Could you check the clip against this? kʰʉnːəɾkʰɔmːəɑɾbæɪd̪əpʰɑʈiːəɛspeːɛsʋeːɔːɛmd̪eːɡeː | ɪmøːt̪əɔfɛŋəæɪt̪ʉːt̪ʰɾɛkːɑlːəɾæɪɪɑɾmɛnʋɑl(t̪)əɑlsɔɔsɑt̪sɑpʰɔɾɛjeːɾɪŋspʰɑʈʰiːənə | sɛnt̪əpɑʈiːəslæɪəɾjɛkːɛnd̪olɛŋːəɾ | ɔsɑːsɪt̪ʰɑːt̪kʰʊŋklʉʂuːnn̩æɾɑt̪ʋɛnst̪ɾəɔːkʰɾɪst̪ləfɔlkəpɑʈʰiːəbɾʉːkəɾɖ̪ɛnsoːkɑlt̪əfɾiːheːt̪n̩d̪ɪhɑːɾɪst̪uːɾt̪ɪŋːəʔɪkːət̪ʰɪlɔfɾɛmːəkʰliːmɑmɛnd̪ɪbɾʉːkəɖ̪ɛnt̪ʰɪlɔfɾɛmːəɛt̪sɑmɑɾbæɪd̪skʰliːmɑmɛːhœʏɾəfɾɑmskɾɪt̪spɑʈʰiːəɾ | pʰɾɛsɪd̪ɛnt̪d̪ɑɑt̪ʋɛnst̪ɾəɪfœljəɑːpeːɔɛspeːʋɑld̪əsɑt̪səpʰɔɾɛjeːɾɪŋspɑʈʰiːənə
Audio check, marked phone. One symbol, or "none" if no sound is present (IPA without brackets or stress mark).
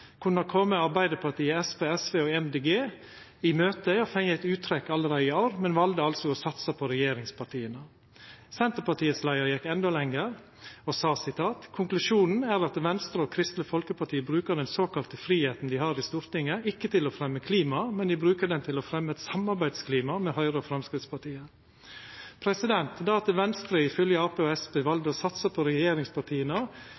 d̪